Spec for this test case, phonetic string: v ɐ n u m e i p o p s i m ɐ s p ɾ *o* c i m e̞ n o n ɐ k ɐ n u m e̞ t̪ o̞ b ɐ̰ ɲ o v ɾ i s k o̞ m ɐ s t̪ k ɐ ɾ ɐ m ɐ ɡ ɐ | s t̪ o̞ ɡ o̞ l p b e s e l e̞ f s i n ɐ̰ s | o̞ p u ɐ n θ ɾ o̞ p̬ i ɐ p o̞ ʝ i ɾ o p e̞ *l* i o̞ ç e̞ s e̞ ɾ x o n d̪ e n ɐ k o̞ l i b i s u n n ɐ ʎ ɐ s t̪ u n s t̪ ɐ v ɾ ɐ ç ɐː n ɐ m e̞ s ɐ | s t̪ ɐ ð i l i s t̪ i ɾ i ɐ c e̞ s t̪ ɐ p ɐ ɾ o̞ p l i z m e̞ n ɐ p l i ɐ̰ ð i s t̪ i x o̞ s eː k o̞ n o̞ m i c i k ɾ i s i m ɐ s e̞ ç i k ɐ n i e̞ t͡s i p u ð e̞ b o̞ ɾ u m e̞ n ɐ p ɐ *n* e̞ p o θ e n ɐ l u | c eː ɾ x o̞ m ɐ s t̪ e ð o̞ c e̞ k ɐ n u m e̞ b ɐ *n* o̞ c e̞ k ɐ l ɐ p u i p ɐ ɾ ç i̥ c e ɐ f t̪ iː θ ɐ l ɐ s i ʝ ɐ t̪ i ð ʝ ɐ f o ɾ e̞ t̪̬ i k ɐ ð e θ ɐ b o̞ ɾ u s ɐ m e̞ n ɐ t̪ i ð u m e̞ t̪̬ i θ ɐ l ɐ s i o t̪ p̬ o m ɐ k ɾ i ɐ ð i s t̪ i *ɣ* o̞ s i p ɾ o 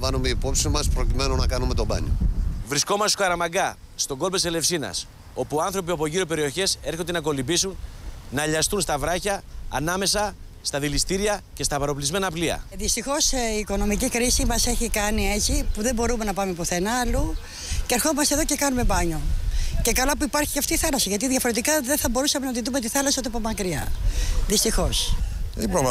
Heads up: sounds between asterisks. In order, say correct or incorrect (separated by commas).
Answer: correct, incorrect, incorrect, incorrect, incorrect